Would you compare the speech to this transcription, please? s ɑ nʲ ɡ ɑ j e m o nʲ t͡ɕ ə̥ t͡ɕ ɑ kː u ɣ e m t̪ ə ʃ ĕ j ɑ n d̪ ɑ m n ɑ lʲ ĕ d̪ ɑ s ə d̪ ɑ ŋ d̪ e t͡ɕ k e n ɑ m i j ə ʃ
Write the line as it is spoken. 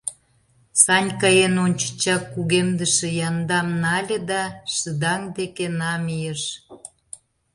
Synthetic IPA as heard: s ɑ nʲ k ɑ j e n o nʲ t͡ɕ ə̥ t͡ɕ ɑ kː u ɣ e m d̪ ə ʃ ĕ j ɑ n d̪ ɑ m n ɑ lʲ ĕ d̪ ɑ ʃ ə d̪ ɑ ŋ d̪ e k e n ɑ m i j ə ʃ